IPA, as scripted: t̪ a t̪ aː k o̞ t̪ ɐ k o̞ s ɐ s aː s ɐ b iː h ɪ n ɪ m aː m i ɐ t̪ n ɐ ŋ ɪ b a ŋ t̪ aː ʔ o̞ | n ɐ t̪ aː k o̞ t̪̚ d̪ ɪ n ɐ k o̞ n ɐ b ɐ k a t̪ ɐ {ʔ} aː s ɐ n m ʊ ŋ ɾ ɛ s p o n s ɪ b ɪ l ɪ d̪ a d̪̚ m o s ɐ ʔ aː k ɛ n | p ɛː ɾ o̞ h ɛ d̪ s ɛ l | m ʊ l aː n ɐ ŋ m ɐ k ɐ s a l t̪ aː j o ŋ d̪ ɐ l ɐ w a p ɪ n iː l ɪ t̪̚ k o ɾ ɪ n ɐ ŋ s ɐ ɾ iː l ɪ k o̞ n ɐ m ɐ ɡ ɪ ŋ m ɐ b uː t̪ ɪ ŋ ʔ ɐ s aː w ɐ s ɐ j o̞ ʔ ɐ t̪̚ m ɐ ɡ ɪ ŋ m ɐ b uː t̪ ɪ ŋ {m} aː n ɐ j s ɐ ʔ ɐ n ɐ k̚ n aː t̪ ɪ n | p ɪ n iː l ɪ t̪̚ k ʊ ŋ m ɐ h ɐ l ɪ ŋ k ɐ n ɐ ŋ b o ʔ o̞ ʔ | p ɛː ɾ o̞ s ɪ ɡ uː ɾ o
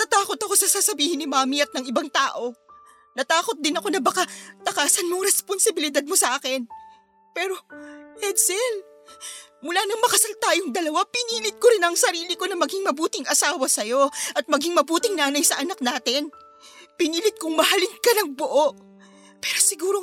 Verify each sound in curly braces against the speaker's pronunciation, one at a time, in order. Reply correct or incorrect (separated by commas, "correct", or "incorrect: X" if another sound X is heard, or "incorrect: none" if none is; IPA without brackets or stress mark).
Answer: incorrect: k, incorrect: n